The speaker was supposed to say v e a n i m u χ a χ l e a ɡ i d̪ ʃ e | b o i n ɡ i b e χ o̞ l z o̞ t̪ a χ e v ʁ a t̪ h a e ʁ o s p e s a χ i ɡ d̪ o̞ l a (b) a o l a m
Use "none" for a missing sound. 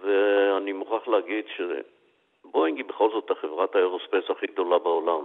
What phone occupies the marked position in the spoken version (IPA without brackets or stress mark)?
b